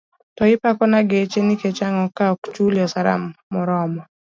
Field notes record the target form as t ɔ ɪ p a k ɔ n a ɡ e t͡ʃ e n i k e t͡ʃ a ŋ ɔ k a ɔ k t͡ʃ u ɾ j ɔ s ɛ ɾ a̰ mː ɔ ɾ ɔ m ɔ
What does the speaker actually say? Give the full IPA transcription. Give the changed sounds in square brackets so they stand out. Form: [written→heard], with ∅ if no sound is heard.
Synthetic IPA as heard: t ɔ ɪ p a k ɔ n a ɡ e t͡ʃ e n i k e t͡ʃ a ŋ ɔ k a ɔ k t͡ʃ u [ɾ→l] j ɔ s [ɛ→a] ɾ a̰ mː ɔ ɾ ɔ m ɔ